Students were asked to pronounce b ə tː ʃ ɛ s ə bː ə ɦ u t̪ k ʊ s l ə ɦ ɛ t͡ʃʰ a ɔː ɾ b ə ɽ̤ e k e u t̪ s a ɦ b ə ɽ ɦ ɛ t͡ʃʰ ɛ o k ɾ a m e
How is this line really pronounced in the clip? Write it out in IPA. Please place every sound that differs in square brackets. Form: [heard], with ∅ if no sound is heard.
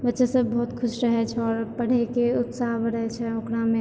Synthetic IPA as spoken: b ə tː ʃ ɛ s ə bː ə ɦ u t̪ [kʰ] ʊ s [ɾ] ə ɦ ɛ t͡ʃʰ [ɛ] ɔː ɾ [p] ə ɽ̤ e k e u t̪ s a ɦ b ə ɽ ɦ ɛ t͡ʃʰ ɛ o k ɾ a m e